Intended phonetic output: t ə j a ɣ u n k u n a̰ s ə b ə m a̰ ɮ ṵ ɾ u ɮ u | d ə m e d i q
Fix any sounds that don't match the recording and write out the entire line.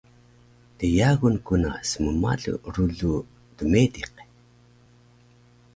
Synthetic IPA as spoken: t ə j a ɣ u n k u n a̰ s ə m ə m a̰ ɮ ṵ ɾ u ɮ u | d ə m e d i q